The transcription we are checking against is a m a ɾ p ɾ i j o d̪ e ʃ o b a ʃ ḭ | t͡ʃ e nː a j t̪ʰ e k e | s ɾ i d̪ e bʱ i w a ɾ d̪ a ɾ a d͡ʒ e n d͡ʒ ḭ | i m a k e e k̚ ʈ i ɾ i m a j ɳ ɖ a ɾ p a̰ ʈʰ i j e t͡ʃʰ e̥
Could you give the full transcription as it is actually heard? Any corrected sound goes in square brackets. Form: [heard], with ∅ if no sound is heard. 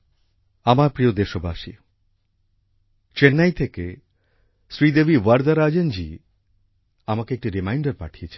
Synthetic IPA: a m a ɾ p ɾ i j o d̪ e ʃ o b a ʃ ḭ | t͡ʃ e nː a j t̪ʰ e k e | s ɾ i d̪ e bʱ i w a ɾ d̪ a ɾ a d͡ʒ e n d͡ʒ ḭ | [a] m a k e e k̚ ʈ i ɾ i m a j ɳ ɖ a ɾ p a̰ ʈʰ i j e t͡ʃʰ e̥